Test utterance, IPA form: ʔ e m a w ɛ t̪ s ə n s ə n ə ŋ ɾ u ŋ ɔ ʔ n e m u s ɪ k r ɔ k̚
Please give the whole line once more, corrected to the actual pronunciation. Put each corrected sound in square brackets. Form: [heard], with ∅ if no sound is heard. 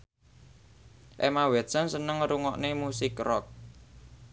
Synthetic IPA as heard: ʔ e m a w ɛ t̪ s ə n s ə n ə ŋ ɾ u ŋ ɔ ʔ n e m u s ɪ k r ɔ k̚